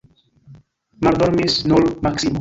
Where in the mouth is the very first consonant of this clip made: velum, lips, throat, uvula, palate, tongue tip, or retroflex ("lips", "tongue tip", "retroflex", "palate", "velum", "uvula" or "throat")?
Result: lips